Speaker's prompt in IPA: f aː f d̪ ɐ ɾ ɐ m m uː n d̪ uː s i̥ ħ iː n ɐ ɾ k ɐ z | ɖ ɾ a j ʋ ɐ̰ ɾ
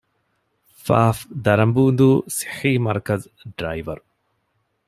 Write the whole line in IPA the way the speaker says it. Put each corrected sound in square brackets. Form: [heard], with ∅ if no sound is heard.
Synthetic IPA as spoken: f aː f d̪ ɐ ɾ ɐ m [b] uː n d̪ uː s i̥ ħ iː [m] ɐ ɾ k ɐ z | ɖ ɾ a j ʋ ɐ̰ ɾ